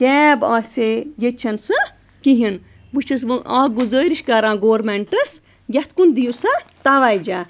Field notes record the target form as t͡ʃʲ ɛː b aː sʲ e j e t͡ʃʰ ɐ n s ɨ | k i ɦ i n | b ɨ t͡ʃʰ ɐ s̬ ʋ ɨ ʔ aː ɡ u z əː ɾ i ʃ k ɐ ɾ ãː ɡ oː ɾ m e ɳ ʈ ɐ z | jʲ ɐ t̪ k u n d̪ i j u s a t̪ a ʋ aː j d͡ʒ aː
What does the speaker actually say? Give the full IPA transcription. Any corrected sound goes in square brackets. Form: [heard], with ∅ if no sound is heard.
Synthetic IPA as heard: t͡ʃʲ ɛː b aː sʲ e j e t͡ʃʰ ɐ n s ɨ | k i ɦ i n | b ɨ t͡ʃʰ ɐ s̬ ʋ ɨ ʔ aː ɡ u z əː ɾ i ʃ k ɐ ɾ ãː ɡ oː ɾ m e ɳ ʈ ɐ [s] | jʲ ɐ t̪ k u n d̪ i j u s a t̪ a ʋ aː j d͡ʒ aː